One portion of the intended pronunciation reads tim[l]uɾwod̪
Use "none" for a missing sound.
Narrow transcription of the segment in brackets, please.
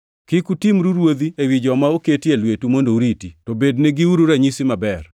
ɾ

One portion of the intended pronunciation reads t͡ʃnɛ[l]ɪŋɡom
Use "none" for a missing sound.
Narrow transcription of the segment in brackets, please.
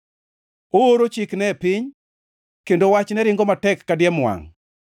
ɾ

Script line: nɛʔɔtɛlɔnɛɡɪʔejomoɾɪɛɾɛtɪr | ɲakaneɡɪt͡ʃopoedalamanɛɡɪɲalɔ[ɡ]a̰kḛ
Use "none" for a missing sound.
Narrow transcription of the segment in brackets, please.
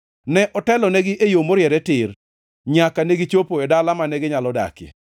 d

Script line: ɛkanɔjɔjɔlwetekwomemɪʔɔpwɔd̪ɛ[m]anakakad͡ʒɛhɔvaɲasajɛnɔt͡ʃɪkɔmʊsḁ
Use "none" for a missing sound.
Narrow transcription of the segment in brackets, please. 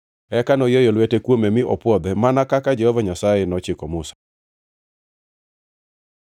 m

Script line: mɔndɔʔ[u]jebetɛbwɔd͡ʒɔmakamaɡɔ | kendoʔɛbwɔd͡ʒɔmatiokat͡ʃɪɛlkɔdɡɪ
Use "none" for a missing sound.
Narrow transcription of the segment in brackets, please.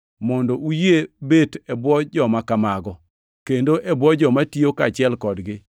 u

